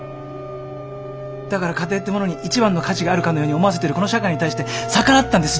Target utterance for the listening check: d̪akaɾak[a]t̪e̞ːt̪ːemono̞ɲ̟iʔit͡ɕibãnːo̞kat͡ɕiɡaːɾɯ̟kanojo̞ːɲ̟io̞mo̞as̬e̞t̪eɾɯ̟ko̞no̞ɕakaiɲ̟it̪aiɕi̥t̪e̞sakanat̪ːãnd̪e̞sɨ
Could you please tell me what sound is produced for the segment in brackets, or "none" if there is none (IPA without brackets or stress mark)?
a